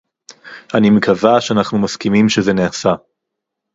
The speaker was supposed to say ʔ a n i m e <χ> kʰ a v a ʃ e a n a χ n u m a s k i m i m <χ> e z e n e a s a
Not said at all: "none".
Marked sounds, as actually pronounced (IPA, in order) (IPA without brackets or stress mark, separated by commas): none, ʃ